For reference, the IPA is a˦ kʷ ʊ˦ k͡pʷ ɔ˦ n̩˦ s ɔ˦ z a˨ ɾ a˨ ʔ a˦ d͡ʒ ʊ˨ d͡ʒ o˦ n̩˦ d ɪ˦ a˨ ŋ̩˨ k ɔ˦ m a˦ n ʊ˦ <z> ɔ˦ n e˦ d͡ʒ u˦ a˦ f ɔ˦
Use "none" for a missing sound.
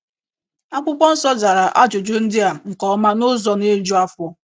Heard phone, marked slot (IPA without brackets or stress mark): z